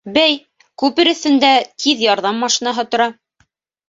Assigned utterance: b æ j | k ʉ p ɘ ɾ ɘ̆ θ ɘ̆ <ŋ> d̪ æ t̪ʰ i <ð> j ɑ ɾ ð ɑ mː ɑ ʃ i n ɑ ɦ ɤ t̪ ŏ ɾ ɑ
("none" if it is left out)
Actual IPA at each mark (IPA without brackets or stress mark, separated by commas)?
n, ð